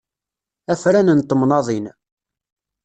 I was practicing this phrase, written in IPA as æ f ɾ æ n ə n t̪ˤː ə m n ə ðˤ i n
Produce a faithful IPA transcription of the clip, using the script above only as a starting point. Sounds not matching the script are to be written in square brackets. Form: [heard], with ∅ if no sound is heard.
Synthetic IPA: æ f ɾ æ n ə n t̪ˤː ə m n [ɑ] ðˤ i n

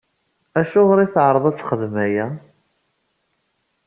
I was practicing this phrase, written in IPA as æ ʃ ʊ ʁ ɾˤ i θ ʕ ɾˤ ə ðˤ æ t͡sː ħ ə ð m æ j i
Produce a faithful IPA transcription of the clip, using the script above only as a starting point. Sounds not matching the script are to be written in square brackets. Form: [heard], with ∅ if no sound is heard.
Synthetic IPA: æ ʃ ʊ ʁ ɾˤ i θ ʕ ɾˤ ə ðˤ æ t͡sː [χ] ə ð m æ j [æ]

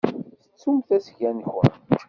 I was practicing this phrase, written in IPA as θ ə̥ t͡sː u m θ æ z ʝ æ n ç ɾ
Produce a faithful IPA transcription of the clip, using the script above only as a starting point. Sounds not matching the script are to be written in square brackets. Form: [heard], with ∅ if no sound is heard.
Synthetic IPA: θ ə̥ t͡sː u m θ æ [s] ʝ æ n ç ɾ

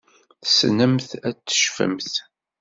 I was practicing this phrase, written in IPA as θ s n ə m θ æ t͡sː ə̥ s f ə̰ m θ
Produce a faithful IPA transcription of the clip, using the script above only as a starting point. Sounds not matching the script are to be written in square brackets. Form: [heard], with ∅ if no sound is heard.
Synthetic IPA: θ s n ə m θ æ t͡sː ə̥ [ʃ] f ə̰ m θ

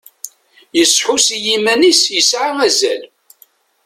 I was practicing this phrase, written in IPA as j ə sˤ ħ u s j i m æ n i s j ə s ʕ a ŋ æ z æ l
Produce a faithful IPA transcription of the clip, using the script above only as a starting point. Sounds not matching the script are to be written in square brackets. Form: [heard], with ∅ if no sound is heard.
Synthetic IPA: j ə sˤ ħ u s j i m æ n i s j ə s ʕ a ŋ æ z æ l

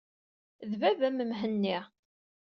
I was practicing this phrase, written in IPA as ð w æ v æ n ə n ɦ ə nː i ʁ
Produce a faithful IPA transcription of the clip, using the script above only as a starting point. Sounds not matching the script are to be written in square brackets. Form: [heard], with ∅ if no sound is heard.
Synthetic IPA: ð [v] æ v æ [m] ə [m] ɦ ə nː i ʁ

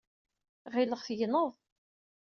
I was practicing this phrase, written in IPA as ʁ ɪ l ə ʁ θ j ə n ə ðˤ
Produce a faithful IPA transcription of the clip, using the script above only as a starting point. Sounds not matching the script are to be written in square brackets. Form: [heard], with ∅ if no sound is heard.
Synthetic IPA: ʁ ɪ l ə ʁ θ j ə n ə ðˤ

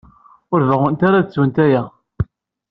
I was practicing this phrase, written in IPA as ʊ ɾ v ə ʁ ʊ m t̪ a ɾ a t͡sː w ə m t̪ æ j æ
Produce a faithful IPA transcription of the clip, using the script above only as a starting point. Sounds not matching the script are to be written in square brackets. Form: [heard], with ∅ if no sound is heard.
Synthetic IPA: ʊ ɾ v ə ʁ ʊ [n] t̪ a ɾ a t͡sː w ə [n] t̪ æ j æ

